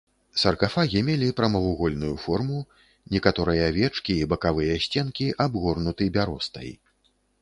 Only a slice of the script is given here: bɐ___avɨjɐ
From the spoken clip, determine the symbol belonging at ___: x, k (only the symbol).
k